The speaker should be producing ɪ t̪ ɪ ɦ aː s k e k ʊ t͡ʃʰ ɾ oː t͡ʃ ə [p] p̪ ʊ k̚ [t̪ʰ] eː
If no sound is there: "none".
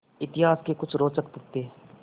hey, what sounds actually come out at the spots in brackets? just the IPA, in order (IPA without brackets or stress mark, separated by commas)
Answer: k, t̪